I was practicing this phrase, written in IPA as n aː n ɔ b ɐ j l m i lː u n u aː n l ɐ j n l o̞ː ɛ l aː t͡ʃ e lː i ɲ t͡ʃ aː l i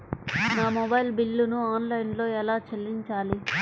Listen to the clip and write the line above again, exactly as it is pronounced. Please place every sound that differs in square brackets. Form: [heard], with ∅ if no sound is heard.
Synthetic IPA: n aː [m] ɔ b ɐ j l [b] i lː u n u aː n l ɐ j n l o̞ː ɛ l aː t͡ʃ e lː i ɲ t͡ʃ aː l i